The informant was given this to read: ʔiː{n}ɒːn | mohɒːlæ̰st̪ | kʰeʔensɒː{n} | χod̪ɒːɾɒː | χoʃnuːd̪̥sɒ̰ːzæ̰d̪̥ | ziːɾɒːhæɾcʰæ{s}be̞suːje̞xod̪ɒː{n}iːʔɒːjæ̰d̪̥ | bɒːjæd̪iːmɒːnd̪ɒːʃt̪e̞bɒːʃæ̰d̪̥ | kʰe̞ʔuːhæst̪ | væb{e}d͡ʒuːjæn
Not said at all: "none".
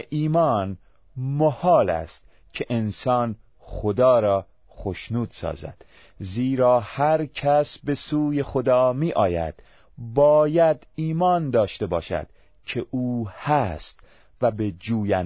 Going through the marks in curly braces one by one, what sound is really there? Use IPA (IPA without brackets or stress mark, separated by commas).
m, n, s, m, e